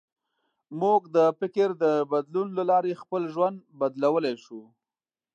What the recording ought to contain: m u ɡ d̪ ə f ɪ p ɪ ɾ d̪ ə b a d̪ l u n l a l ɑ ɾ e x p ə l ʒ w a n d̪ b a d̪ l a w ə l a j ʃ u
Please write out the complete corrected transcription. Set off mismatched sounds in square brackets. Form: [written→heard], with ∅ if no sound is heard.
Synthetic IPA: m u ɡ d̪ ə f ɪ [p→k] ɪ ɾ d̪ ə b a d̪ l u n l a l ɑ ɾ e x p ə l ʒ w a n d̪ b a d̪ l a w ə l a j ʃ u

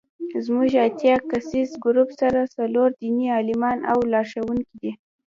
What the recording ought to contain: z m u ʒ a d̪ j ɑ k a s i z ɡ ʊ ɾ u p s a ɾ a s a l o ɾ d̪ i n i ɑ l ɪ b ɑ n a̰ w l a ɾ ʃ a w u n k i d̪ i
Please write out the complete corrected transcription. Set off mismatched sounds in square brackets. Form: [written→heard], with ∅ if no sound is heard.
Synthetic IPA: z m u ʒ a [d̪→t̪] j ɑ k a s i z ɡ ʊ ɾ u p s a ɾ a s a l o ɾ d̪ i n i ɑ l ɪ [b→m] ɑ n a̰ w l [a→ɑ] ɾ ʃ a w u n k i d̪ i

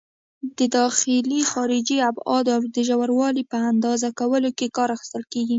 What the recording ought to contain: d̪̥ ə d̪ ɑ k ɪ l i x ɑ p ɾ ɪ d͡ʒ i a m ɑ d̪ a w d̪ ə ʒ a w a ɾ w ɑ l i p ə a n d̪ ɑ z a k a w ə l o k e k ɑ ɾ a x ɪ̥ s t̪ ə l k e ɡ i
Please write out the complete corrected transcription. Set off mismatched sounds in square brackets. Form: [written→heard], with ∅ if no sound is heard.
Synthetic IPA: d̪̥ ə d̪ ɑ [k→x] ɪ l i x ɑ [p→∅] ɾ ɪ d͡ʒ i a [m→b] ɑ d̪ a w d̪ ə ʒ a w a ɾ w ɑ l i p ə a n d̪ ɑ z a k a w ə l o k e k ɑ ɾ a x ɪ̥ s t̪ ə l k e ɡ i

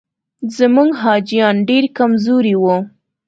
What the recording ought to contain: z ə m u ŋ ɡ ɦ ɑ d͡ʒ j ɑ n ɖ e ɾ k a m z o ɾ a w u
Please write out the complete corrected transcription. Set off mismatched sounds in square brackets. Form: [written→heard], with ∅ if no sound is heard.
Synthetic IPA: z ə m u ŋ ɡ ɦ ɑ d͡ʒ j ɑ n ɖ e ɾ k a m z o ɾ [a→i] w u

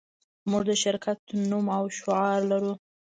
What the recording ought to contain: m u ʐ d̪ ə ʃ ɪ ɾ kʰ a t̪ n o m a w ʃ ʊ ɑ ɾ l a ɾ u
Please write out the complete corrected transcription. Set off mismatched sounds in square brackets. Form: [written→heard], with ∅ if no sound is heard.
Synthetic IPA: m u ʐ d̪ ə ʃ ɪ ɾ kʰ a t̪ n [o→u] m a w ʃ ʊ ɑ ɾ l a ɾ u

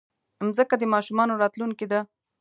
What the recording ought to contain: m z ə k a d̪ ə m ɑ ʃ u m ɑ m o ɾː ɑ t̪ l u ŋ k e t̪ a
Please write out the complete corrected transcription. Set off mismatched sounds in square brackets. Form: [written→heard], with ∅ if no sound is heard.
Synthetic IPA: m z ə k a d̪ ə m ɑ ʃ u m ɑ [m→n] o [ɾː→ɾ] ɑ t̪ l u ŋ k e [t̪→d̪] a

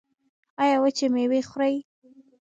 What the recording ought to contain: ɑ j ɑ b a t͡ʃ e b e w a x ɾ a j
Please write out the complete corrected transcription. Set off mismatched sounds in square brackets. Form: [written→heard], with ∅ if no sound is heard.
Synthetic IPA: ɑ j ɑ [b→w] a t͡ʃ e [b→m] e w [a→e] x ɾ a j

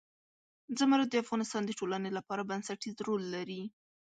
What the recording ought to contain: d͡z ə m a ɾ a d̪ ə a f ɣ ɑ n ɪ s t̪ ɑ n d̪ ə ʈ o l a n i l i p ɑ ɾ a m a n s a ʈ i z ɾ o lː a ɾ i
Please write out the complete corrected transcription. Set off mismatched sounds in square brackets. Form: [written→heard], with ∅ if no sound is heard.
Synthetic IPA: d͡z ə m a ɾ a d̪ ə a f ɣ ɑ n ɪ s t̪ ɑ n d̪ ə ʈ o l a n [i→e] l [i→a] p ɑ ɾ a [m→b] a n s a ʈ i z ɾ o lː a ɾ i

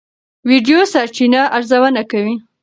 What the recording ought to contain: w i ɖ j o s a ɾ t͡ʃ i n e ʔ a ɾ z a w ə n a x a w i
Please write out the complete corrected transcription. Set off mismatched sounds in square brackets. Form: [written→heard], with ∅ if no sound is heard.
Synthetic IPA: w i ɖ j o s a ɾ t͡ʃ i n [e→a] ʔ a ɾ z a w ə n a [x→k] a w i

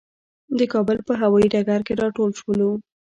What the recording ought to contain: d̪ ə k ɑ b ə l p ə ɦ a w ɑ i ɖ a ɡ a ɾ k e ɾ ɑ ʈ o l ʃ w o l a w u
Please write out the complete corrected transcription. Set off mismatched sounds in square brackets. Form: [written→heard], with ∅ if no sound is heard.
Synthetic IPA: d̪ ə k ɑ b ə l p ə ɦ a w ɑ i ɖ a ɡ a ɾ k e ɾ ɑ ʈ o l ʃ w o l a w u

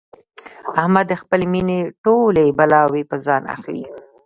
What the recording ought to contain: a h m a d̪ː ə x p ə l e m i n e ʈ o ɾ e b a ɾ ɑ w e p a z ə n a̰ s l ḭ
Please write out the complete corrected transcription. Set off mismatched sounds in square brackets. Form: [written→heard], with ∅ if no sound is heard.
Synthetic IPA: a h m a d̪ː ə x p ə l e m i n e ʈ o [ɾ→l] e b a [ɾ→l] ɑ w e p [a→ə] z [ə→ɑ] n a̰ [s→x] l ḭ

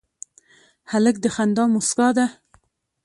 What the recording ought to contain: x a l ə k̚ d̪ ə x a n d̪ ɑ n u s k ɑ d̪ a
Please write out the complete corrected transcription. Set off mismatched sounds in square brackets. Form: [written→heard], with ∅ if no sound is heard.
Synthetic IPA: [x→h] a l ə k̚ d̪ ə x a n d̪ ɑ [n→m] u s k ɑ d̪ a

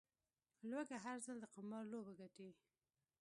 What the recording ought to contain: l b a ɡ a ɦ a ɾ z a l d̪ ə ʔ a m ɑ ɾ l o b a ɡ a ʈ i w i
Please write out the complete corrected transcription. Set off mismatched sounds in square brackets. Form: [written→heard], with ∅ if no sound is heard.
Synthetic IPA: l [b→w] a ɡ a ɦ a ɾ z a l d̪ ə [ʔ→q] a m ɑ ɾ l o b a ɡ a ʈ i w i

